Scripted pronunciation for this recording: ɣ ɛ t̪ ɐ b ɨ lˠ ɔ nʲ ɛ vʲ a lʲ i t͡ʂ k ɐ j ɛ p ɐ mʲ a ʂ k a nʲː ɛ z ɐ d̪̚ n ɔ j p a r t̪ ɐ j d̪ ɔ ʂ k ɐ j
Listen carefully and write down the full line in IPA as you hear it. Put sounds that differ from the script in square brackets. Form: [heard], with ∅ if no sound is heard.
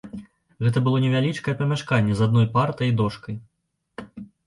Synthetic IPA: ɣ ɛ t̪ ɐ b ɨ lˠ ɔ nʲ ɛ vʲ a lʲ i t͡ʂ k ɐ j ɛ p ɐ mʲ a ʂ k a nʲː ɛ z [a] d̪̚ n ɔ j p a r t̪ ɐ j d̪ ɔ ʂ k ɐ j